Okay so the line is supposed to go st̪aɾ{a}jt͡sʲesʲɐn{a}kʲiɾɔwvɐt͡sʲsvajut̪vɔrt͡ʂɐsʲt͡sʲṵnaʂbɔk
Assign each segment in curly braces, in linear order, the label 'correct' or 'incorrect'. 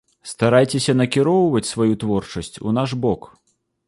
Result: correct, incorrect: ɐ

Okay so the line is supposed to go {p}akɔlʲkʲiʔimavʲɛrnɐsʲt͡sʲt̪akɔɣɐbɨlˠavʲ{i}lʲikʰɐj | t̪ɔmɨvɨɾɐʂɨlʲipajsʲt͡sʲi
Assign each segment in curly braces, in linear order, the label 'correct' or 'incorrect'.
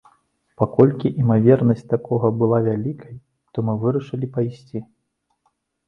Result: correct, incorrect: a

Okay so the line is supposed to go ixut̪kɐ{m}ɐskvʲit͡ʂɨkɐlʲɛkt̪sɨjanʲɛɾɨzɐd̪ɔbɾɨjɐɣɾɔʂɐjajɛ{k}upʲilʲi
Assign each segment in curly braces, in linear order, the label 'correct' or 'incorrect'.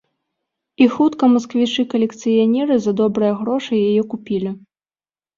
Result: correct, correct

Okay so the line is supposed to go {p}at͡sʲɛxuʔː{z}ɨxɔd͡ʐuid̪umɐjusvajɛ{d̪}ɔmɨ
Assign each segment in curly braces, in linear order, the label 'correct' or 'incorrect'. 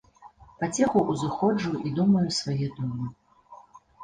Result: correct, correct, correct

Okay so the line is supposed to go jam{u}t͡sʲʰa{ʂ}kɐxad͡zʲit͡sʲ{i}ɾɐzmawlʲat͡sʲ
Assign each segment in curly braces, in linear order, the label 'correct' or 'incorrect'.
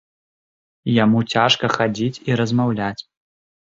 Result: correct, correct, correct

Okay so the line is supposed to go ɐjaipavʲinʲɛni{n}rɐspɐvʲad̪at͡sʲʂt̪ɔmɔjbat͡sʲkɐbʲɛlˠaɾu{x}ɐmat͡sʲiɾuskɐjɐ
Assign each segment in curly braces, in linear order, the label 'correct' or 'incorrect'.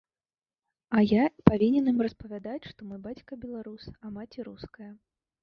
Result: incorrect: m, incorrect: s

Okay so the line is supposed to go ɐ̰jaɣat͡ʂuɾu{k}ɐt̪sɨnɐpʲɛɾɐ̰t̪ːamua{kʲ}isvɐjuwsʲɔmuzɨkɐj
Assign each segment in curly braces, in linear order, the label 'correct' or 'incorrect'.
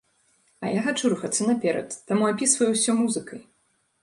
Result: incorrect: x, incorrect: pʲ

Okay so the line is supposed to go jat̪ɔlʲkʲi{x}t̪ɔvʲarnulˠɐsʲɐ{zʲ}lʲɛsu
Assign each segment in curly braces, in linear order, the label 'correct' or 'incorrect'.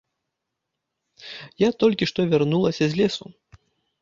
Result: incorrect: ʂ, correct

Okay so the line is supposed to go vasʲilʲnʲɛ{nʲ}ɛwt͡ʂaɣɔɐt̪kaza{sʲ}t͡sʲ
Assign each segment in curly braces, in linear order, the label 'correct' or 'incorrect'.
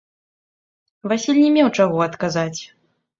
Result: incorrect: mʲ, incorrect: none

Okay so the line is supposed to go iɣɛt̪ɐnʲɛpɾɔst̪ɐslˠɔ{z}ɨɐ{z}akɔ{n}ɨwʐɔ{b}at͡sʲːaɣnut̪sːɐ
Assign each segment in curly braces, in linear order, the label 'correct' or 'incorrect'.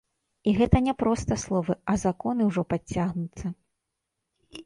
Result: incorrect: v, correct, correct, incorrect: p

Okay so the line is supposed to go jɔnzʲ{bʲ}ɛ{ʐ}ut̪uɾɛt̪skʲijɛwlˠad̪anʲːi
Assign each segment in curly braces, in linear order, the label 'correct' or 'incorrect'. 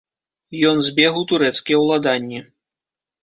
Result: correct, incorrect: ɣ

